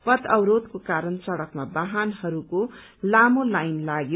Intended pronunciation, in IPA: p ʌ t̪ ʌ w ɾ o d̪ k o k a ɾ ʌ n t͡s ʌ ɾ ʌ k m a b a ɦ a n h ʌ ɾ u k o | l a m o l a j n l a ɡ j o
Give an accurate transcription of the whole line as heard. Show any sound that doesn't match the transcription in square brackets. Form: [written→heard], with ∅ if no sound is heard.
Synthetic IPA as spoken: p ʌ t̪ ʌ w ɾ o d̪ k o k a ɾ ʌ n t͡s ʌ [ɾ→ɽ] ʌ k m a b a ɦ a n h ʌ ɾ u k o | l a m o l a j n l a ɡ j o